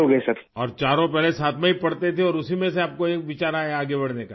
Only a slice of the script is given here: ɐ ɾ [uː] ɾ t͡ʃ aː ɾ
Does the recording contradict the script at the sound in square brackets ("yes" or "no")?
yes